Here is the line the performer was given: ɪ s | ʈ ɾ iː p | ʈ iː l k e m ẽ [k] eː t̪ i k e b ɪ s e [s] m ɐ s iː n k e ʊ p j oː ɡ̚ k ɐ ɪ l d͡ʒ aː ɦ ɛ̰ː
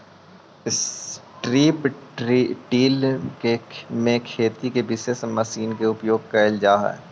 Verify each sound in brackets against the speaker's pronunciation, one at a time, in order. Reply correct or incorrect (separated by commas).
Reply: incorrect, correct